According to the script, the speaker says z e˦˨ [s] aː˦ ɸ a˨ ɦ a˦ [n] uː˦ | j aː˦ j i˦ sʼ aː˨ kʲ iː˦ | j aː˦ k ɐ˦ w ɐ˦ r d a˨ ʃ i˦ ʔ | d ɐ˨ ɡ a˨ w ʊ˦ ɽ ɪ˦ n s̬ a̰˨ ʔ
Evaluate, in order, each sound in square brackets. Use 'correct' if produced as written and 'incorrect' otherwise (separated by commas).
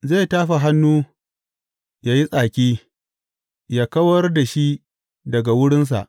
incorrect, incorrect